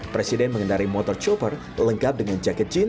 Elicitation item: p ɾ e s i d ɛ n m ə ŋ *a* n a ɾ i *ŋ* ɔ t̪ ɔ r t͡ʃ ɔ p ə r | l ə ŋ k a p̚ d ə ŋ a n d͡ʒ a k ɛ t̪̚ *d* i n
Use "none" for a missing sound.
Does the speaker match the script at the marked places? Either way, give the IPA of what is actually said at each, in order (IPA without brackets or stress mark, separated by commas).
ə, m, d͡ʒ